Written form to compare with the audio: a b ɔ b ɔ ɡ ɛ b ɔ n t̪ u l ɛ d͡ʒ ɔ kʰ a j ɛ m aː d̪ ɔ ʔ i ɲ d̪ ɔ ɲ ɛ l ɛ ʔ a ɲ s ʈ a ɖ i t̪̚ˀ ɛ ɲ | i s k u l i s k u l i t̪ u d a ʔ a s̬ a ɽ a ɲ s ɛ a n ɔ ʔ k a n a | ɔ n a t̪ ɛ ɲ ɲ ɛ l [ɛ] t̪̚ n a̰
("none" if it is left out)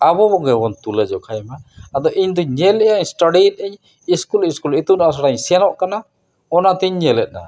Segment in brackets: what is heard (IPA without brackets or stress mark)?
ɛ